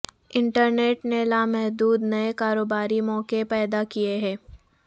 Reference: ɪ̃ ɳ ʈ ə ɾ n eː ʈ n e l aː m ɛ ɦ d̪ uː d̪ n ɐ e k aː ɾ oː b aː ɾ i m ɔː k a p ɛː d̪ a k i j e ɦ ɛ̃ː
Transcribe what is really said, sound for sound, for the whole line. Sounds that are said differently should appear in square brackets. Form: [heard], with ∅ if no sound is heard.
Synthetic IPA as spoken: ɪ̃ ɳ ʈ ə ɾ n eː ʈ n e l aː m ɛ ɦ d̪ uː d̪ n ɐ e k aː ɾ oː b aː ɾ i m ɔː k [e] p ɛː d̪ a k i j e ɦ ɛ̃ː